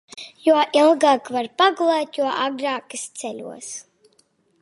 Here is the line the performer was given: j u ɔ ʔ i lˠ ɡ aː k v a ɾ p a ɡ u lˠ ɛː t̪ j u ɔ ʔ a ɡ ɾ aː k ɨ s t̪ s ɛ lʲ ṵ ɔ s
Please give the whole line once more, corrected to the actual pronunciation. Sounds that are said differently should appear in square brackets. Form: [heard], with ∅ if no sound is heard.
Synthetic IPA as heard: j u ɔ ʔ i lˠ ɡ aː k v a ɾ p a ɡ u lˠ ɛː t̪ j u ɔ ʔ a ɡ ɾ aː k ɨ s t̪ s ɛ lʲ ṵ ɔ s